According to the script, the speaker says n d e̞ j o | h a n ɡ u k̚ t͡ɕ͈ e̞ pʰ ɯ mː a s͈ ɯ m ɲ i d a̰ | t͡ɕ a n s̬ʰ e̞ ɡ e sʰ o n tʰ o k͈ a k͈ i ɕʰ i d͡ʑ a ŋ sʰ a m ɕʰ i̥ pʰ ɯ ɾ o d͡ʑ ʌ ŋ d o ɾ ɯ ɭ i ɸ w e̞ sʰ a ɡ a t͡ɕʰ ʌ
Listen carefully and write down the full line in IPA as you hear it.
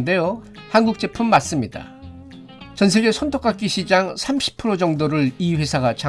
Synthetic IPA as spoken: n d e̞ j o | h a n ɡ u k̚ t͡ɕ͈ e̞ pʰ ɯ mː a s͈ ɯ m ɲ i d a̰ | t͡ɕ ʌ n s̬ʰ e̞ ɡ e sʰ o n tʰ o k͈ a k͈ i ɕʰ i d͡ʑ a ŋ sʰ a m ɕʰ i̥ pʰ ɯ ɾ o d͡ʑ ʌ ŋ d o ɾ ɯ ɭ i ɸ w e̞ sʰ a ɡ a t͡ɕʰ a